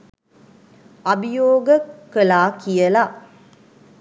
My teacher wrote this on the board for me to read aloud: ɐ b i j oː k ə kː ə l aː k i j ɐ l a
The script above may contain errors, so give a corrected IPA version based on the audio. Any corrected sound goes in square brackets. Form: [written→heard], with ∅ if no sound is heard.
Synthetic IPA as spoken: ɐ b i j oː [k→ɡ] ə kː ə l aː k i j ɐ l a